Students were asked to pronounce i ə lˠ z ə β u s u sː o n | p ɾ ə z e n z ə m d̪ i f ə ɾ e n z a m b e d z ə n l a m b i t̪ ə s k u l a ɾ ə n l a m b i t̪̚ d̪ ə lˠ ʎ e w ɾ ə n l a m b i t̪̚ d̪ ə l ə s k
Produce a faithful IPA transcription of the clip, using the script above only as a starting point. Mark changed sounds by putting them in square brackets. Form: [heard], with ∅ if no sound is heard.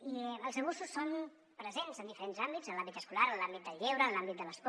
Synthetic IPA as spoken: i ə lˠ z ə β u s u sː o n | p ɾ ə z e n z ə [n] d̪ i f ə ɾ e n z a m b [i] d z ə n l a m b i t̪ ə s k u l a ɾ ə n l a m b i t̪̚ d̪ ə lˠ ʎ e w ɾ ə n l a m b i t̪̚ d̪ ə l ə s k